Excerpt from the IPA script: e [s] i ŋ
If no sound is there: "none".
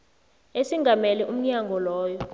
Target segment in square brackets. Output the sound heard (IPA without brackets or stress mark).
s